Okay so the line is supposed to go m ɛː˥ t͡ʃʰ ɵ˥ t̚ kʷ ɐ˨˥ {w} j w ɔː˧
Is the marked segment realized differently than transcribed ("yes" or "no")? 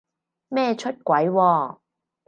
yes